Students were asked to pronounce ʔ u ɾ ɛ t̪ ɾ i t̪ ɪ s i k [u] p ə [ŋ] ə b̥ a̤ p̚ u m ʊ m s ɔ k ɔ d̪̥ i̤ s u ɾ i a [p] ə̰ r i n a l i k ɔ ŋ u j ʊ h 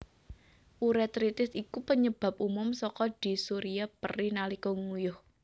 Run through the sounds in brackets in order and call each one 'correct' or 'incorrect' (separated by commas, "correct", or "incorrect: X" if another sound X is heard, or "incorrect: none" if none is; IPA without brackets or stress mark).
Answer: correct, incorrect: ɲ, correct